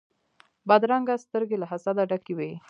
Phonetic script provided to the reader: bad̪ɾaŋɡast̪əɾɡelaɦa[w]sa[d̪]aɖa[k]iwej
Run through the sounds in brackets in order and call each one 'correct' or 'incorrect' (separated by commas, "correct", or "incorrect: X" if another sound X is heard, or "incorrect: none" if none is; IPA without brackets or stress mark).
incorrect: none, correct, correct